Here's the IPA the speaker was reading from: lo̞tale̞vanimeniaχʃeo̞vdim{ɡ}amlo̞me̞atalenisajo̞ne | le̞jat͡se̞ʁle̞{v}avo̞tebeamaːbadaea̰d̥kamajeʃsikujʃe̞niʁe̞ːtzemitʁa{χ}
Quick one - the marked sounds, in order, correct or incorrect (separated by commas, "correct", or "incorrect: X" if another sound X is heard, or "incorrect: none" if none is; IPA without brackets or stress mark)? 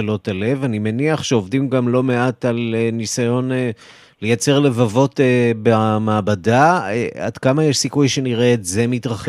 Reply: correct, correct, correct